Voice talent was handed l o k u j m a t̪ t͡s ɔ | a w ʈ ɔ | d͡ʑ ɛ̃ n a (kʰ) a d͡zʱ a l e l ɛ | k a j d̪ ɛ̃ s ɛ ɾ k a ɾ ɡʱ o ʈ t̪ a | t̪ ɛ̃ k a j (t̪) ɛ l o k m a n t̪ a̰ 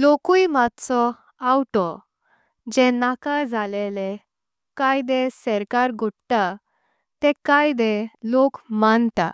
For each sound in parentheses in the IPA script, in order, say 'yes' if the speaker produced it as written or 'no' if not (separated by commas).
no, no